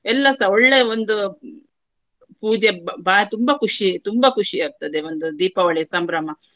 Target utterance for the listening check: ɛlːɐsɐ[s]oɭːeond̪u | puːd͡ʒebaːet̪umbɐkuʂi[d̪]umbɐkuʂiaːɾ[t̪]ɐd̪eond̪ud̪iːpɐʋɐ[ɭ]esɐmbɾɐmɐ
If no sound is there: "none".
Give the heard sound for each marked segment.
none, t̪, t̪, ɭ

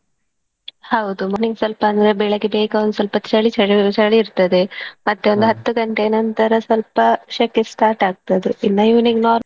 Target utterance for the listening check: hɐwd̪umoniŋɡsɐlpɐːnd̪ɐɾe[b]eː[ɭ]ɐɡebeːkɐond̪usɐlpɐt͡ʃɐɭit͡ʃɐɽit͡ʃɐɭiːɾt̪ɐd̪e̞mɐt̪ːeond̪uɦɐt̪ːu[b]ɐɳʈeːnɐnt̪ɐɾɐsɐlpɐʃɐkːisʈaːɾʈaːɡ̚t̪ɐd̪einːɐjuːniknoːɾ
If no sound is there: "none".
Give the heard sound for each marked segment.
b, ɭ, ɡ

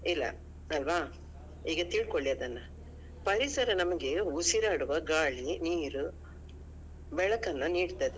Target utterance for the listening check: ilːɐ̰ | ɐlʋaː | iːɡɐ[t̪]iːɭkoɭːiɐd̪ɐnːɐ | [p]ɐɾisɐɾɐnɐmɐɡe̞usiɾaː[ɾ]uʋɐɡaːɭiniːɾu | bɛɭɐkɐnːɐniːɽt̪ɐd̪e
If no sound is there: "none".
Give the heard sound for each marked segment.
t̪, p, ɽ

